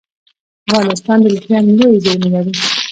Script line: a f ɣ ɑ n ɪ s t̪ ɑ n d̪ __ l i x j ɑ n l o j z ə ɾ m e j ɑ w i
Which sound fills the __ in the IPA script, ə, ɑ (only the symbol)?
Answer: ə